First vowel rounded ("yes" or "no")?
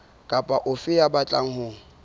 no